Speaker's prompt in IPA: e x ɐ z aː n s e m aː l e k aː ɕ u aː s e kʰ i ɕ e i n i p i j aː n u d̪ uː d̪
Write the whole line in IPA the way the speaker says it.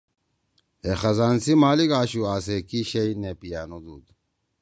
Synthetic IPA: e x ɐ z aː n s i m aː l i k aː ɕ u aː s e k i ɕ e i n e p i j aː n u d̪ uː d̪